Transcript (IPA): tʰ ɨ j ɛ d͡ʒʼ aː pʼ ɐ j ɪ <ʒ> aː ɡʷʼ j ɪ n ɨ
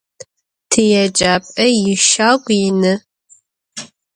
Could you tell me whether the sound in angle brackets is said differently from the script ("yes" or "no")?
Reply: yes